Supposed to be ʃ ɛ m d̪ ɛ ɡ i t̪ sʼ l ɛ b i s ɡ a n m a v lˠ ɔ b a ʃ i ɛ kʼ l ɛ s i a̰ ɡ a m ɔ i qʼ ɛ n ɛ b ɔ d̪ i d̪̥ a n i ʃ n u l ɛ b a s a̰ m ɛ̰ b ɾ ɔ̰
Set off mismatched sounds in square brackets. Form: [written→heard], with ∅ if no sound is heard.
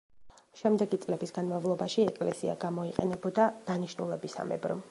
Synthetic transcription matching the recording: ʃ ɛ m d̪ ɛ ɡ i t̪ sʼ l ɛ b i s ɡ a n m a v lˠ ɔ b a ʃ i ɛ kʼ l ɛ s i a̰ ɡ a m ɔ i qʼ ɛ n ɛ b ɔ d̪ [i→a] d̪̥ a n i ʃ n u l ɛ b [a→i] s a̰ m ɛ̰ b ɾ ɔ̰